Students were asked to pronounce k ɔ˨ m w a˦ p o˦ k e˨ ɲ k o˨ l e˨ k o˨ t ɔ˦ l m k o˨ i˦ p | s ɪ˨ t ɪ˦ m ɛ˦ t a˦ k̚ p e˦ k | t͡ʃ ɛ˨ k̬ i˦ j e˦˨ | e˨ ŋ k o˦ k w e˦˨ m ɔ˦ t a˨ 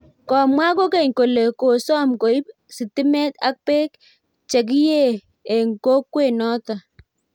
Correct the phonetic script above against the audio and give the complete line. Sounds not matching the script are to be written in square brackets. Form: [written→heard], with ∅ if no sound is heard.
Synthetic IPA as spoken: k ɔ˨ m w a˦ [p→k] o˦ k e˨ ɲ k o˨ l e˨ k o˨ [t→s] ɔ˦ [l→∅] m k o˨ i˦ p | s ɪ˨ t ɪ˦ m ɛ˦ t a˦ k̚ p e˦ k | t͡ʃ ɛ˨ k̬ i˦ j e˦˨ | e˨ ŋ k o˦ k w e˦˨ [m→n] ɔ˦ t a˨